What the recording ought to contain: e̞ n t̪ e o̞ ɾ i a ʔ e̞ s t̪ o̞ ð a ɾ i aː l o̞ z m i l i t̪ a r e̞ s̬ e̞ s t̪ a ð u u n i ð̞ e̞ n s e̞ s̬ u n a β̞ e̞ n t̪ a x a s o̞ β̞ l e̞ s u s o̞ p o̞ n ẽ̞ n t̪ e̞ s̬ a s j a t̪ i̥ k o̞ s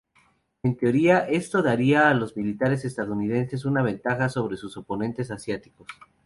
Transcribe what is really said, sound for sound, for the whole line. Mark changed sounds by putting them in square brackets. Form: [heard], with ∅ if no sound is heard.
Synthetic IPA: e̞ n t̪ e o̞ ɾ i a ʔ e̞ s t̪ o̞ ð a ɾ i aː l o̞ z m i l i t̪ a [ɾ] e̞ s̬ e̞ s t̪ a ð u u n i ð̞ e̞ n s e̞ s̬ u n a β̞ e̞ n t̪ a x a s o̞ β̞ [ɾ] e̞ s u s o̞ p o̞ n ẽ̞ n t̪ e̞ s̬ a s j a t̪ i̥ k o̞ s